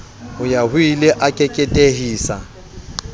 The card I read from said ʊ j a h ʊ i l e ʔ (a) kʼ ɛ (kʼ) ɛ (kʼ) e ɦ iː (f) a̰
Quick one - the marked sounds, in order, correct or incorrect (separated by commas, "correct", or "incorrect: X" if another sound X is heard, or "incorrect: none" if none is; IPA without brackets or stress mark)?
correct, correct, incorrect: tʼ, incorrect: s